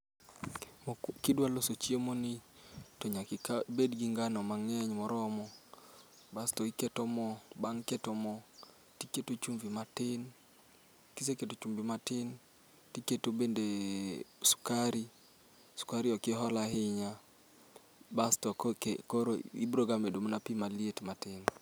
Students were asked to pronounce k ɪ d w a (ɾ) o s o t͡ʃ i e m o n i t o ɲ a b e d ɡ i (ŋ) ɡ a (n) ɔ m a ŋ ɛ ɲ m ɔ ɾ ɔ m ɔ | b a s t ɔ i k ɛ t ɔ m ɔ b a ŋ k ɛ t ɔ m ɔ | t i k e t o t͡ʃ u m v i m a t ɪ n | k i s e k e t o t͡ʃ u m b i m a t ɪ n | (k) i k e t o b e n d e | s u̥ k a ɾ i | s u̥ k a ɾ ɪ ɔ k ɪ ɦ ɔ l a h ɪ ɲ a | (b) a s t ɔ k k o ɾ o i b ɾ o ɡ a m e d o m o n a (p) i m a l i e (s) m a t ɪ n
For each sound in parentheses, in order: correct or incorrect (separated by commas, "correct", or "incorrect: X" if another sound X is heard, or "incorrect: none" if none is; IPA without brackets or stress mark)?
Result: incorrect: l, correct, correct, incorrect: t, correct, correct, incorrect: t